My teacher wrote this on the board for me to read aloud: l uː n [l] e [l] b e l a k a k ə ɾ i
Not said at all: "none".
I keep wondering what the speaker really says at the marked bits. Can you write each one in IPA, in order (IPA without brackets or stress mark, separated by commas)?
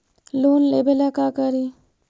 l, none